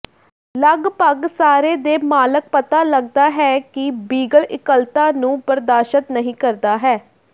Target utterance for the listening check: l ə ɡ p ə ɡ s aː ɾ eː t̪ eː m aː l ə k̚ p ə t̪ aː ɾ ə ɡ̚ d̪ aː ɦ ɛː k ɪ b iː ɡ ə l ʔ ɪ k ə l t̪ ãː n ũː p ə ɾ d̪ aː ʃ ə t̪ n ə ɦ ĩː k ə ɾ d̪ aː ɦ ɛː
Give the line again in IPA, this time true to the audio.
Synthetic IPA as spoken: l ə ɡ p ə ɡ s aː ɾ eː d̪ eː m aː l ə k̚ p ə t̪ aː l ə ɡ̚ d̪ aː ɦ ɛː k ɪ b iː ɡ ə l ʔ ɪ k ə l t̪ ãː n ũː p ə ɾ d̪ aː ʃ ə t̪ n ə ɦ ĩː k ə ɾ d̪ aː ɦ ɛː

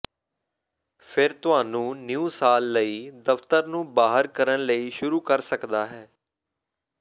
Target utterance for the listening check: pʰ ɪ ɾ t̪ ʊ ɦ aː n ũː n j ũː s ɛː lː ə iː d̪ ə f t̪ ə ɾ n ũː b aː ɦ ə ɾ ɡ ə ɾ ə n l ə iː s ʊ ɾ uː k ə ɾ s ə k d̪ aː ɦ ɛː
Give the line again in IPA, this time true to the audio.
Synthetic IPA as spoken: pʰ ɪ ɾ t̪ ʊ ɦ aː n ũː n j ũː s aː lː ə iː d̪ ə f t̪ ə ɾ n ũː b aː ɦ ə ɾ k ə ɾ ə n l ə iː ʃ ʊ ɾ uː k ə ɾ s ə k d̪ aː ɦ ɛː

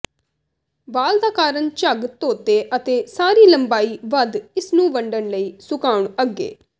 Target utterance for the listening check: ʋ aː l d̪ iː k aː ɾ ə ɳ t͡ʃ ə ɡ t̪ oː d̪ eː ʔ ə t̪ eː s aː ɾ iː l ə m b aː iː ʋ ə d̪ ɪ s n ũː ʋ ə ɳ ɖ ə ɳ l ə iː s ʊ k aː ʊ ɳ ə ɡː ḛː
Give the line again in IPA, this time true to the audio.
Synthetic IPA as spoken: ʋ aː l d̪ aː k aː ɾ ə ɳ t͡ʃ ə ɡ t̪ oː t̪ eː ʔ ə t̪ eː s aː ɾ iː l ə m b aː iː ʋ ə d̪ ɪ s n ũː ʋ ə ɳ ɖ ə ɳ l ə iː s ʊ k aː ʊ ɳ ə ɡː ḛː

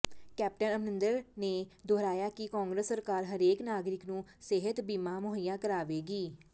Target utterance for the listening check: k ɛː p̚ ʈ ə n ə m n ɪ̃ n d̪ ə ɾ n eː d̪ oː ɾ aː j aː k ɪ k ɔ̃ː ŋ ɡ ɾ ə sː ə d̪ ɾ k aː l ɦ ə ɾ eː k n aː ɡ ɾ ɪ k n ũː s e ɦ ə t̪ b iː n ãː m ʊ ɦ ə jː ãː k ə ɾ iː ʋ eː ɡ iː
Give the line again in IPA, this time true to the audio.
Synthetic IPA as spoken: k ɛː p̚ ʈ ə n ə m n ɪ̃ n d̪ ə ɾ n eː d̪ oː ɾ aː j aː k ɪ k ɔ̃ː ŋ ɡ ɾ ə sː ə ɾ k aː ɾ ɦ ə ɾ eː k n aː ɡ ɾ ɪ k n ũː s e ɦ ə t̪ b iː m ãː m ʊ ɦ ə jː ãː k ə ɾ aː ʋ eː ɡ iː

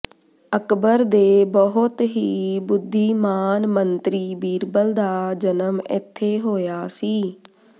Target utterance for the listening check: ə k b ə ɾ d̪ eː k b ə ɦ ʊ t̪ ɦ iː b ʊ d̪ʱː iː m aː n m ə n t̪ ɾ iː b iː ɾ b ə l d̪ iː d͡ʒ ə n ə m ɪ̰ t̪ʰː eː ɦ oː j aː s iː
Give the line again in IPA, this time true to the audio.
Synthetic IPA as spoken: ə k b ə ɾ d̪ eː b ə ɦ ʊ t̪ ɦ iː b ʊ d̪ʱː iː m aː n m ə n t̪ ɾ iː b iː ɾ b ə l d̪ aː d͡ʒ ə n ə m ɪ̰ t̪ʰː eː ɦ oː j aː s iː

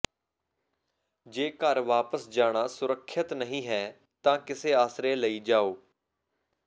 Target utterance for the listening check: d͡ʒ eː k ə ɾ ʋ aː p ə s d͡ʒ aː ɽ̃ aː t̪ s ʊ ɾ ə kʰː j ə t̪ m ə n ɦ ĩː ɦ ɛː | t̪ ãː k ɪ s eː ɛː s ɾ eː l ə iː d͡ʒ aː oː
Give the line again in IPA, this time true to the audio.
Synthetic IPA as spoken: d͡ʒ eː k ə ɾ ʋ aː p ə s d͡ʒ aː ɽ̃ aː s ʊ ɾ ə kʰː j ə t̪ n ə ɦ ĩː ɦ ɛː | t̪ ãː k ɪ s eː aː s ɾ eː l ə iː d͡ʒ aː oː

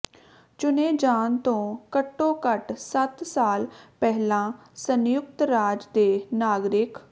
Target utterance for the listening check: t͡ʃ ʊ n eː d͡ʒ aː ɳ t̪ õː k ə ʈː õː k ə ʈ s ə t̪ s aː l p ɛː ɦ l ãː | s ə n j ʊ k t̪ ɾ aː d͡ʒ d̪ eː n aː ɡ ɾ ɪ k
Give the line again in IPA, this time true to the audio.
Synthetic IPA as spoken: t͡ʃ ʊ n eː d͡ʒ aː n t̪ õː k ə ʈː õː k ə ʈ s ə t̪ s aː l p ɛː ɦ l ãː | s ə n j ʊ k t̪ ɾ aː d͡ʒ d̪ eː n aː ɡ ɾ ɪ k

